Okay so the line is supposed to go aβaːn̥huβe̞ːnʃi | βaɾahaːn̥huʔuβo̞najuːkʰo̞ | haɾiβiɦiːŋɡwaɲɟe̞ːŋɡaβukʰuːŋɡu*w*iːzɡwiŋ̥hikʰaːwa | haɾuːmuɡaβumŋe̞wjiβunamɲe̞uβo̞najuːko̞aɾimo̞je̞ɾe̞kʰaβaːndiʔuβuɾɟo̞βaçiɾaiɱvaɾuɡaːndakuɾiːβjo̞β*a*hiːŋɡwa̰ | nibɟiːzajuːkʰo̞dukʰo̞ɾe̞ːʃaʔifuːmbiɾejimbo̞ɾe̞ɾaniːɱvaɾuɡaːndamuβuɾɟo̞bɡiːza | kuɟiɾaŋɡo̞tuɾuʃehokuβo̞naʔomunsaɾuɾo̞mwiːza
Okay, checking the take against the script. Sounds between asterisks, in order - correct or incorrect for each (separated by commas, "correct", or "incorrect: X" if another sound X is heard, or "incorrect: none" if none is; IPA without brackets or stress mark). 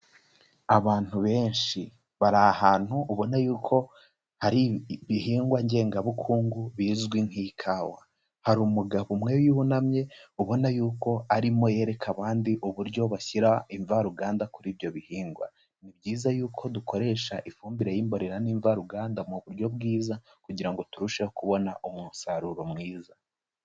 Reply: incorrect: β, incorrect: i